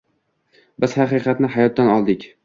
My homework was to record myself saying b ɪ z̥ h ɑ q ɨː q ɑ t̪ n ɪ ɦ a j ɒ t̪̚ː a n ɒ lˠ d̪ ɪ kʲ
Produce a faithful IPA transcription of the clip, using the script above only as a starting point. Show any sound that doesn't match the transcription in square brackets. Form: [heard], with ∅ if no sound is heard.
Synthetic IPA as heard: b ɪ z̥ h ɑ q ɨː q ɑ t̪ n ɪ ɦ a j ɒ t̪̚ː a n ɒ lˠ d̪ ɪ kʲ